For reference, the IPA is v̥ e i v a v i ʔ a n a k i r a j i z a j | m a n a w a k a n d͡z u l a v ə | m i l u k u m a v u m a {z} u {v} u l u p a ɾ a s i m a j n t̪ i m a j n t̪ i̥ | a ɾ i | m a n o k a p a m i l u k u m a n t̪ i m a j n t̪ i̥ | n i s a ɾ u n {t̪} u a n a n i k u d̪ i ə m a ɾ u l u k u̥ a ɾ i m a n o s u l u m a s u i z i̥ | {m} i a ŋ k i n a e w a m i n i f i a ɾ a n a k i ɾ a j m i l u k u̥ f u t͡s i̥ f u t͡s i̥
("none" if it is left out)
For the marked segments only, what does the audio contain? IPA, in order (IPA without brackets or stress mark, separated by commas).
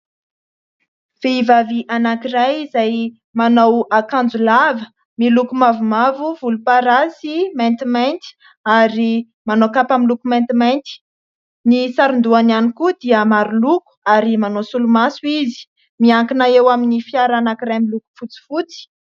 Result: v, v, d̪, m